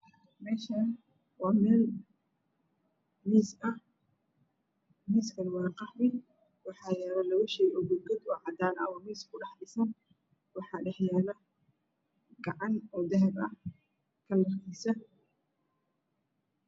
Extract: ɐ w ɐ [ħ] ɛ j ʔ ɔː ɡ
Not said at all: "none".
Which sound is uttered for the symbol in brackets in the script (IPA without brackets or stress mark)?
ʃ